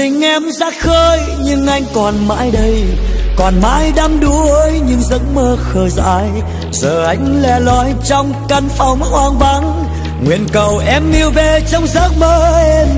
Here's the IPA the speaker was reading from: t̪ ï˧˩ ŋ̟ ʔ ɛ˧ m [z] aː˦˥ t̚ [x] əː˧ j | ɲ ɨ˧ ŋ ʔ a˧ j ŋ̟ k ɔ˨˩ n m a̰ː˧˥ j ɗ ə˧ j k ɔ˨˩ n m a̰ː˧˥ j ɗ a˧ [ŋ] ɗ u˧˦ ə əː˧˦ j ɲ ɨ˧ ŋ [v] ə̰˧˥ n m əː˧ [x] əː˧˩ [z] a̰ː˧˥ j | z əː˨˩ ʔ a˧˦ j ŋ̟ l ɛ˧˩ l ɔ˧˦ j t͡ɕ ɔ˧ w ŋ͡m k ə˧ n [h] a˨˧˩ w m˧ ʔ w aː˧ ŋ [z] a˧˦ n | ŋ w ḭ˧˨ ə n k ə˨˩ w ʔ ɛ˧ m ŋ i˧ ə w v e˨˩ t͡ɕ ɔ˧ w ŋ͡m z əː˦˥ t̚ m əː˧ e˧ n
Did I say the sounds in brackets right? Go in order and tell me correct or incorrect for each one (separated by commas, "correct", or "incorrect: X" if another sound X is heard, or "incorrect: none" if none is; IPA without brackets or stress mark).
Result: correct, correct, incorrect: m, incorrect: z, correct, correct, incorrect: f, incorrect: v